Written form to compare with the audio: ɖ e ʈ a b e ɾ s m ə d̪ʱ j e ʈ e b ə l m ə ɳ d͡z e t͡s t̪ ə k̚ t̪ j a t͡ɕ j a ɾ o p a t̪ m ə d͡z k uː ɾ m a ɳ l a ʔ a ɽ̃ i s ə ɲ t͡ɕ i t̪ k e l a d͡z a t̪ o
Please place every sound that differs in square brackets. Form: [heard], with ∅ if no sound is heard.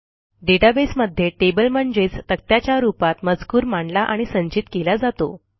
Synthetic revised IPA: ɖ e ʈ a b e [∅] s m ə d̪ʱ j e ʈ e b ə l m ə ɳ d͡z e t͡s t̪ ə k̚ t̪ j a t͡ɕ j a ɾ [u] p a t̪ m ə d͡z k uː ɾ m a ɳ l a ʔ a ɽ̃ i s ə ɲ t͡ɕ i t̪ k e l a d͡z a t̪ o